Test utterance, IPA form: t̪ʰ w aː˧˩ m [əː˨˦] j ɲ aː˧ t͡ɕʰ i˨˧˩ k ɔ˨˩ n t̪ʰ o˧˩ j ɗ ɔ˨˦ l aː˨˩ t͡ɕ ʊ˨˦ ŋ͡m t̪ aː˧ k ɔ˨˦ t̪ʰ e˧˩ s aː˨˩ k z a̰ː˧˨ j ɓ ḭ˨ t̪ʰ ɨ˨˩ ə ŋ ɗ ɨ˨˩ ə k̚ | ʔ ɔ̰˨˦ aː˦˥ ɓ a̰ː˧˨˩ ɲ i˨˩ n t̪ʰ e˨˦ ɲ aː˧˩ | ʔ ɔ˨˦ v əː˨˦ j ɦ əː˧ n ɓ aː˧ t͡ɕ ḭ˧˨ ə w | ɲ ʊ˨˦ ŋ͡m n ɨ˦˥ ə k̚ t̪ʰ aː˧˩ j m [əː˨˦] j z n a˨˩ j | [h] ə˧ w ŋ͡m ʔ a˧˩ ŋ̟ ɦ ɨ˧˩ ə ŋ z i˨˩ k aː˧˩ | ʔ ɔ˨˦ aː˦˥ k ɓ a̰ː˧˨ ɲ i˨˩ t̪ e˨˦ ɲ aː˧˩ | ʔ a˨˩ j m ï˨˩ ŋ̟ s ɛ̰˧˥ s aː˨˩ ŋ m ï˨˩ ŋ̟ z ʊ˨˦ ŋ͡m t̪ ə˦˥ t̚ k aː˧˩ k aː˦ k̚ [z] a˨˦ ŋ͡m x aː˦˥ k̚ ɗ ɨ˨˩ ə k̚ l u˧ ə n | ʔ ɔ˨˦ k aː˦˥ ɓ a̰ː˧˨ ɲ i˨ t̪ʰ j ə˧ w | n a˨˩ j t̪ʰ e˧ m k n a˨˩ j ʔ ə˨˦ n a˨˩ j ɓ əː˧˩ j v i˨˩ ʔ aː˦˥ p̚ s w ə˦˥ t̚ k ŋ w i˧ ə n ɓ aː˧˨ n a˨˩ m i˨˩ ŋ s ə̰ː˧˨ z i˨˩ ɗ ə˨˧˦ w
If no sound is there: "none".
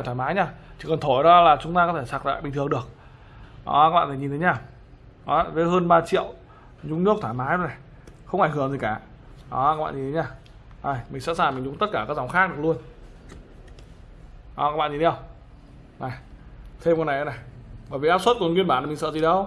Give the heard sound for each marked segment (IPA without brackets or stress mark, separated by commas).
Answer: aː˨˦, aː˨˦, x, z